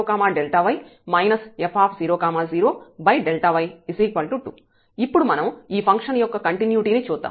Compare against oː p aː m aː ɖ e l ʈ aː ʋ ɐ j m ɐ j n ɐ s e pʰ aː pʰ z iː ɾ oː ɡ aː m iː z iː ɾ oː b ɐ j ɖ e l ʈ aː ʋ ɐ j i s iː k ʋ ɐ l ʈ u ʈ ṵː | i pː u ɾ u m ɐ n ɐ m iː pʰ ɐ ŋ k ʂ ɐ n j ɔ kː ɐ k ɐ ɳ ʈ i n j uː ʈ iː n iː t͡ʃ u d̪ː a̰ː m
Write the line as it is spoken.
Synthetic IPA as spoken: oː k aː m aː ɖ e l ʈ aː ʋ ɐ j m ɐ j n ɐ s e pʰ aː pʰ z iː ɾ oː k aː m aː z iː ɾ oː b ɐ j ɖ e l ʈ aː ʋ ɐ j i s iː k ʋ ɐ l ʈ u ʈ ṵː | i pː u ɽ u m ɐ n ɐ m iː pʰ ɐ ŋ k ʂ ɐ n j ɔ kː ɐ k ɐ ɳ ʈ i n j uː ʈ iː n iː t͡ʃ uː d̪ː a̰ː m

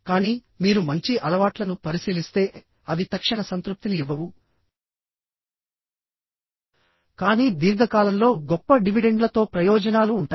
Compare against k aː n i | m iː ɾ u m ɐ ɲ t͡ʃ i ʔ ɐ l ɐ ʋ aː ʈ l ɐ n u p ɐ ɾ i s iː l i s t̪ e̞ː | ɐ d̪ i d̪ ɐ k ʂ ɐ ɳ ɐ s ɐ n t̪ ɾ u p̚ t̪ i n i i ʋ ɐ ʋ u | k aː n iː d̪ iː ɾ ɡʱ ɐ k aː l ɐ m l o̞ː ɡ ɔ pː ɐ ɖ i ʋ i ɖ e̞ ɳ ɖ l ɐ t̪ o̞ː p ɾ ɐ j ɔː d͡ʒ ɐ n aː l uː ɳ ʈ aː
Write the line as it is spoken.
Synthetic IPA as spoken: k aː n iː | m iː ɾ u m ɐ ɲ t͡ʃ i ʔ ɐ l ɐ ʋ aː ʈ l ɐ n u p ɐ ɾ i s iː l i s t̪ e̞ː | ɐ d̪ i t̪ ɐ k ʂ ɐ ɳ ɐ s ɐ n t̪ ɾ u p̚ t̪ i n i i ʋ ɐ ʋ u | k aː n iː d̪ iː ɾ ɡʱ ɐ k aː l ɐ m l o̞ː ɡ ɔ pː ɐ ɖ i ʋ i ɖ e̞ ɳ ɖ l ɐ t̪ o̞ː p ɾ ɐ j ɔː d͡ʒ ɐ n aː l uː ɳ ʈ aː

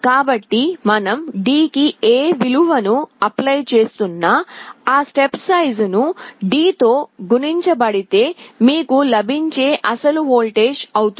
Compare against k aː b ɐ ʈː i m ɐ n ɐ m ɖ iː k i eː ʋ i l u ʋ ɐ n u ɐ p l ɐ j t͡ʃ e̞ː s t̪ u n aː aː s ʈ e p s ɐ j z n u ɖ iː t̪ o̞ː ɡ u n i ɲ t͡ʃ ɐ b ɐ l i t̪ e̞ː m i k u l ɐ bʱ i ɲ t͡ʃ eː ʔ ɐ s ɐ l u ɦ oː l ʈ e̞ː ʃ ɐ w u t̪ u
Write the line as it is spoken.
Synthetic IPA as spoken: k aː b ɐ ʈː i m ɐ n ɐ m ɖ iː k i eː ʋ i l u ʋ ɐ n u ɐ p l ɐ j t͡ʃ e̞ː s t̪ u nː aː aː s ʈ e p s ɐ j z n u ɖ iː t̪ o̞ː ɡ u n i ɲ t͡ʃ ɐ b ɐ ɽ i t̪ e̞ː m iː k u l ɐ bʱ i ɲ t͡ʃ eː ʔ ɐ s ɐ l u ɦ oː l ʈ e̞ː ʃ ɐ w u t̪ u

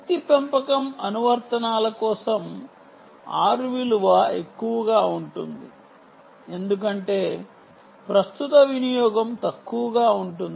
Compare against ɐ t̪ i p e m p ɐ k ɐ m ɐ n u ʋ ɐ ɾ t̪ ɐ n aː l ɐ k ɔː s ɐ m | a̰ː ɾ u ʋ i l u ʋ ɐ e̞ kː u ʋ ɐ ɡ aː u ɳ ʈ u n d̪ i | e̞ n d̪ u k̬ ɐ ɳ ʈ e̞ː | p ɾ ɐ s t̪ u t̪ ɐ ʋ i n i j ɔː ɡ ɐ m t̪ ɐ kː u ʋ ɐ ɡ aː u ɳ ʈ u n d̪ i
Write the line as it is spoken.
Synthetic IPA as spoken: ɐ t̪ i p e m p ɐ k ɐ m ɐ n u ʋ ɐ ɾ t̪ ɐ n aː l ɐ k ɔː s ɐ m | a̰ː ɾ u ʋ i l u ʋ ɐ e̞ kː u ʋ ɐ ɡ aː u ɳ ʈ u n d̪ i | e̞ n d̪ u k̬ ɐ ɳ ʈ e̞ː | p ɾ ɐ s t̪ u t̪ ɐ ʋ i n i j ɔː ɡ ɐ m t̪ ɐ kː u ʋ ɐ ɡ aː u ɳ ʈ u n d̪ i

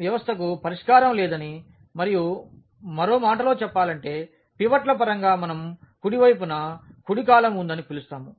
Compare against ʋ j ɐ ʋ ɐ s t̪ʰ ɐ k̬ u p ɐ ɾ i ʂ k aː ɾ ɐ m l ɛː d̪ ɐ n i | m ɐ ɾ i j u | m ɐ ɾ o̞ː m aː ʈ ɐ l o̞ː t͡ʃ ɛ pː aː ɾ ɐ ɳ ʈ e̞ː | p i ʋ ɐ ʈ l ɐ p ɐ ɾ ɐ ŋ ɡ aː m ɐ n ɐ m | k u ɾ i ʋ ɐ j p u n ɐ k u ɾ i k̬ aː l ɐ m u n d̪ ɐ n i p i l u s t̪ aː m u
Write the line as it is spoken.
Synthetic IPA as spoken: ʋ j ɐ ʋ ɐ s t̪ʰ ɐ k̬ u p ɐ ɾ i ʂ k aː ɾ ɐ m l ɛː d̪ ɐ n i | m ɐ ɾ i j u | m ɐ ɾ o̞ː m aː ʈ ɐ l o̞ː t͡ʃ ɛ pː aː l ɐ ɳ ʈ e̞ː | p i ʋ ɐ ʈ l ɐ p ɐ ɾ ɐ ŋ ɡ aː m ɐ n ɐ m | k u ɽ i ʋ ɐ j p u n ɐ k u ɽ i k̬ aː l ɐ m u n d̪ ɐ n i p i l u s t̪ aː m u

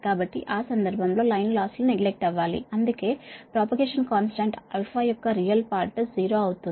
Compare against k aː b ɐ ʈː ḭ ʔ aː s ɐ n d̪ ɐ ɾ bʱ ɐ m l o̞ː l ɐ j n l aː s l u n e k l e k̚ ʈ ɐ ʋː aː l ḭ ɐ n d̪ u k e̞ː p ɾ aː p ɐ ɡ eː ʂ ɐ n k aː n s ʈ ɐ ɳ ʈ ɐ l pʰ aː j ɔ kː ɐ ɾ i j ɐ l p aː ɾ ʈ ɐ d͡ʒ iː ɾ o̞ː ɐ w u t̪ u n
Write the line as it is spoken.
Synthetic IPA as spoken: k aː b ɐ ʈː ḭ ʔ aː s ɐ n d̪ ɐ ɾ bʱ ɐ m l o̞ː l ɐ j n l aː s l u n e ɡ l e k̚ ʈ ɐ ʋː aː l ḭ ɐ n d̪ u k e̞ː p ɾ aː p ɐ ɡ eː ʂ ɐ n k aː n s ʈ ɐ ɳ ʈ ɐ l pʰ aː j ɔ kː ɐ ɾ i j ɐ l p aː ɾ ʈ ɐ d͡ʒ iː ɾ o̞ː ɐ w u t̪ u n

